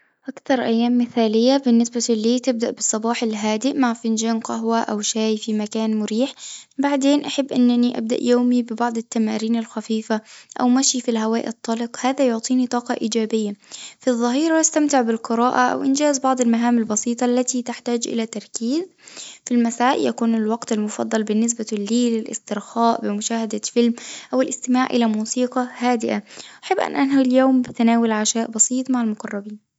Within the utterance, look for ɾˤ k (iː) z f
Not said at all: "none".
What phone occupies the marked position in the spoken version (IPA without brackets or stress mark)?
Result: iː